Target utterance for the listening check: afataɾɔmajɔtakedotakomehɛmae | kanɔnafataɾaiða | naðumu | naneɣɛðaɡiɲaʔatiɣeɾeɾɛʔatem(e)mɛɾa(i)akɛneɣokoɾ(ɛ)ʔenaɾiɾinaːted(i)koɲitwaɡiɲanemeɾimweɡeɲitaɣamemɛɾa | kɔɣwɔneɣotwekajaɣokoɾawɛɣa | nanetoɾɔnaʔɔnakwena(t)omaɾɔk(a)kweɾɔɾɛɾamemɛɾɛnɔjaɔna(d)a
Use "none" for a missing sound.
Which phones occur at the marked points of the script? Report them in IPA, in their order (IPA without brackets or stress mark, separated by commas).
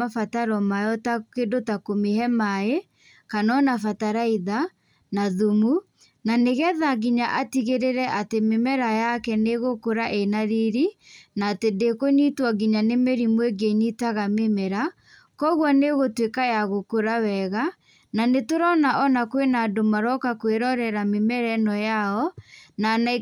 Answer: e, j, a, e, d, a, n